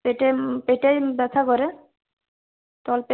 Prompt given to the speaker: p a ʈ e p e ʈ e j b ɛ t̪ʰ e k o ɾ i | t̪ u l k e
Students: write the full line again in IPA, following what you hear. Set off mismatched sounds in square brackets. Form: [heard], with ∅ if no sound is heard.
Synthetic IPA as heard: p [e] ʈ e p e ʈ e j b ɛ t̪ʰ [a] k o ɾ [e] | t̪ [ɔ] l [p] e